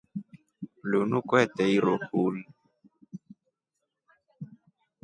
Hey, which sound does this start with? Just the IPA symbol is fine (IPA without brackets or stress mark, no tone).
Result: l